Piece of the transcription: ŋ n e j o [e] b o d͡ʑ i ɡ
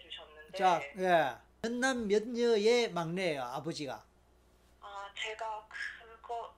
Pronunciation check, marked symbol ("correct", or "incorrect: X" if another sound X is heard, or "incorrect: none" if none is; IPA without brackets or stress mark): incorrect: a